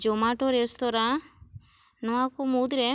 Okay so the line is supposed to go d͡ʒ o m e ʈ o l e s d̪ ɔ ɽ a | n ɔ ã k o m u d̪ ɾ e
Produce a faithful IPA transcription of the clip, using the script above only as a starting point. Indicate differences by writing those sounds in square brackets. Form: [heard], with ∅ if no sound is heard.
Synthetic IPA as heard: d͡ʒ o m [a] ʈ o [ɾ] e s [t̪] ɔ [ɾ] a | n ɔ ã k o m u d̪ ɾ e